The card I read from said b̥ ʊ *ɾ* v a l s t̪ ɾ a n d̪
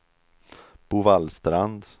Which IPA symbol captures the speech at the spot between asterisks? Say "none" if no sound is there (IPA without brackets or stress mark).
none